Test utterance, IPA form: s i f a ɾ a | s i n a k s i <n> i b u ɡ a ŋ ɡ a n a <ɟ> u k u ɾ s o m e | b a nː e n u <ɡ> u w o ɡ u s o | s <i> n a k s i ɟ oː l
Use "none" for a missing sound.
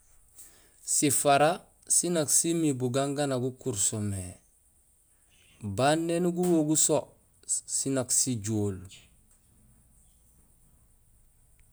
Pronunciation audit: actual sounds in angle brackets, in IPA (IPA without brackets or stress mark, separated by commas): m, ɡ, ɡ, i